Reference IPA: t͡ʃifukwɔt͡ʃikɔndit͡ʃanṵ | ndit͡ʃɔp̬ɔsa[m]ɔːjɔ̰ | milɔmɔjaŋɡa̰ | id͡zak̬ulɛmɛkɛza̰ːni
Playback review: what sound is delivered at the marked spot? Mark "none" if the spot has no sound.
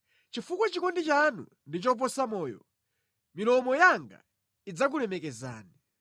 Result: m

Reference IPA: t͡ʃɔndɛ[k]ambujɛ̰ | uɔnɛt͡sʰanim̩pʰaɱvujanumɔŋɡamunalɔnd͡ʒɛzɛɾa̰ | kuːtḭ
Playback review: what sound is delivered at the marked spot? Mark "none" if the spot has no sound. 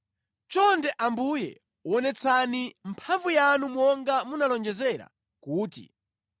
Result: ʔ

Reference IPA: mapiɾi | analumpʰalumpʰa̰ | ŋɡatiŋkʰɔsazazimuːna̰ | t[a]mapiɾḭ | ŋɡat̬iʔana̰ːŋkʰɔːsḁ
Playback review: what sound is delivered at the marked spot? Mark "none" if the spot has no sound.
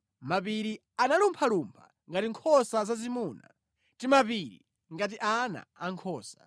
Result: i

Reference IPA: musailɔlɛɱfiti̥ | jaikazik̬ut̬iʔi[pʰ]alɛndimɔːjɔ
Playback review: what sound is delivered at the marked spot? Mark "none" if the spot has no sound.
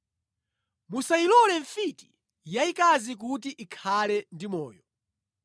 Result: kʰ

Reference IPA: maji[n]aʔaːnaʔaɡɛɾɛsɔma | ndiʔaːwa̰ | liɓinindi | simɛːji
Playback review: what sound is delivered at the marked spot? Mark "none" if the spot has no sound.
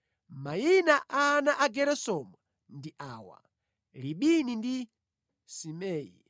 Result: n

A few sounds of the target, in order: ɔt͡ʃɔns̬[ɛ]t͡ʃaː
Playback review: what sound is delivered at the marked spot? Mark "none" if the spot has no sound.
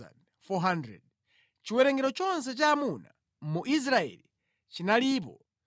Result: ɛ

